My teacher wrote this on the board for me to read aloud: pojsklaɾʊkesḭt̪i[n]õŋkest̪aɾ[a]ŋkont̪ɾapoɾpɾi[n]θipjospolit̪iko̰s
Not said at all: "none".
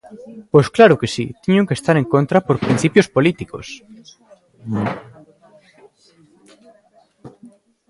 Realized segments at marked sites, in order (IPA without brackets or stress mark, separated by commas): ɲ, e, n